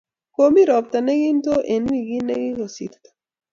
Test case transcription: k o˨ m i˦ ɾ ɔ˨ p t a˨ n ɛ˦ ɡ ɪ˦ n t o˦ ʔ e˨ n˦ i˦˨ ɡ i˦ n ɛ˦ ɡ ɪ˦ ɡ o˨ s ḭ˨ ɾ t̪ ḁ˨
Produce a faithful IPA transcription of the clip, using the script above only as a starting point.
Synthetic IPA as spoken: k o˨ m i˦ ɾ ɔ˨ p t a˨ n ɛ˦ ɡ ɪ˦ n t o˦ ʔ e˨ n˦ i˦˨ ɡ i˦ n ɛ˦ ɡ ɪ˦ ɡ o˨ s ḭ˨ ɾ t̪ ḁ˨

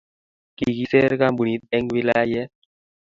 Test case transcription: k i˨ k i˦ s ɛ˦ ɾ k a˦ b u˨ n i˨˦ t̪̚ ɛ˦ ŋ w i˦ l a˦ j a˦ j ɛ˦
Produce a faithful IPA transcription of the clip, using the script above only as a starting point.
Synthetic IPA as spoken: k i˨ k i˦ s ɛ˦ ɾ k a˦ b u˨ n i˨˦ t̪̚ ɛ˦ ŋ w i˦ l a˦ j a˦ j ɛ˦

